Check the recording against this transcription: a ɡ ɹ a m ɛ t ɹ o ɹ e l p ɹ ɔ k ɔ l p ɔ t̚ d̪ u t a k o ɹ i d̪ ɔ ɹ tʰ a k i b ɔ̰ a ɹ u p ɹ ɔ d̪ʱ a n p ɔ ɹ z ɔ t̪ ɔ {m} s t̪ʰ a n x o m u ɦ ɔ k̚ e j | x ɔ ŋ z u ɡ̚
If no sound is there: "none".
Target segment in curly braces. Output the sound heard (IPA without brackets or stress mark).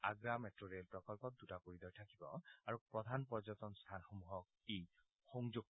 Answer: n